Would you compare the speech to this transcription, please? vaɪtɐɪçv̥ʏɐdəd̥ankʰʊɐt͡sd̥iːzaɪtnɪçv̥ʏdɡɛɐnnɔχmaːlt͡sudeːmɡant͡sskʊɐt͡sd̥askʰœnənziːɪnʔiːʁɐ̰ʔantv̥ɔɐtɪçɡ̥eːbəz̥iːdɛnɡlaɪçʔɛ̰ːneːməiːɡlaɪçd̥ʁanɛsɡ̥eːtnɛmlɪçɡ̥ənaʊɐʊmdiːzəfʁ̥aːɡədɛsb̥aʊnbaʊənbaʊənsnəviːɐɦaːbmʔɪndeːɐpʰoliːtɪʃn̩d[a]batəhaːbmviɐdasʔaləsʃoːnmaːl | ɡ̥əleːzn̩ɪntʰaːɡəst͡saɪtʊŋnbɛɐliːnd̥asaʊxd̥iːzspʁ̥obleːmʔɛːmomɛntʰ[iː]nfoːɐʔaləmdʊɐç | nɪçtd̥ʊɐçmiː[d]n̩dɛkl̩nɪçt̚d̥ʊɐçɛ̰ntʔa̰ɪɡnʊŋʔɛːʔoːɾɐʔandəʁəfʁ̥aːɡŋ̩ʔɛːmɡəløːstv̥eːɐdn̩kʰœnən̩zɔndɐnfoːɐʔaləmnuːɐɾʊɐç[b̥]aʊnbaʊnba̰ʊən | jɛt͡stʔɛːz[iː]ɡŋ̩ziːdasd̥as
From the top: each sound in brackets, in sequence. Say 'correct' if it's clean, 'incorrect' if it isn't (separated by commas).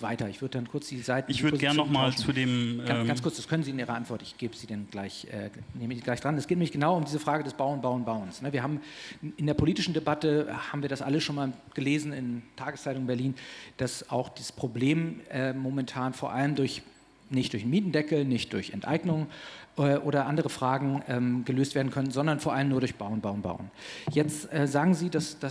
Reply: incorrect, incorrect, incorrect, correct, incorrect